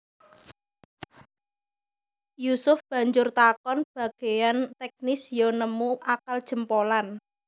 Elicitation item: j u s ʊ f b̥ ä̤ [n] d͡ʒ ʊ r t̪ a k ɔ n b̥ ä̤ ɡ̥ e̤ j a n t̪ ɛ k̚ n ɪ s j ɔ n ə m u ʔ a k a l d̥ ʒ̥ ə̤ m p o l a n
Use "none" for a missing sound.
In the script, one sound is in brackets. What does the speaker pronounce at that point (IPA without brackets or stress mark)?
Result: ɲ